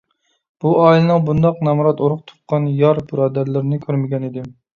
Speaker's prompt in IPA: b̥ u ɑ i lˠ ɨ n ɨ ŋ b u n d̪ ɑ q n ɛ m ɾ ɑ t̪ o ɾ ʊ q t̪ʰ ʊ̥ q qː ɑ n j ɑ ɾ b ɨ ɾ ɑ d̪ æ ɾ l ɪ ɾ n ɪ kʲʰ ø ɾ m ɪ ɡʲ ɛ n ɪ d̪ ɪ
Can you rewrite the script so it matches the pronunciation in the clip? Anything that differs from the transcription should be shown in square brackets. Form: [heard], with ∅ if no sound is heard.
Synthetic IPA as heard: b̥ u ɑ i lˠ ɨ n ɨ ŋ b u n d̪ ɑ q n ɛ m ɾ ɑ t̪ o ɾ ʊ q t̪ʰ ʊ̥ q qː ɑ n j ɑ ɾ b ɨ ɾ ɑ d̪ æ ɾ l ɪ ɾ n ɪ kʲʰ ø ɾ m ɪ ɡʲ ɛ n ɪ d̪ ɪ